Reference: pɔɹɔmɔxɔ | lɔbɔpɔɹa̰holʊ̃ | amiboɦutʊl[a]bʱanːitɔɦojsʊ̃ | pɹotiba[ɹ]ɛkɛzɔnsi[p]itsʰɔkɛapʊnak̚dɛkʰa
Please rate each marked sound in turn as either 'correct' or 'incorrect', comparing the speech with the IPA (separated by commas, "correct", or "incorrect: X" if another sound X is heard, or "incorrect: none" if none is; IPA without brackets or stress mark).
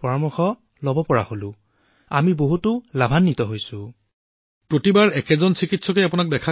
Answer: correct, correct, incorrect: k